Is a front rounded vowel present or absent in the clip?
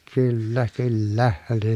present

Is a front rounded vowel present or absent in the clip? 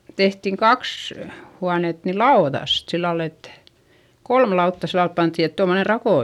absent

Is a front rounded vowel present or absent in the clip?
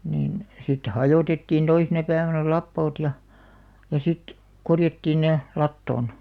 absent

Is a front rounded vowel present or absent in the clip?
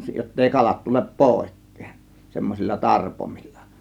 absent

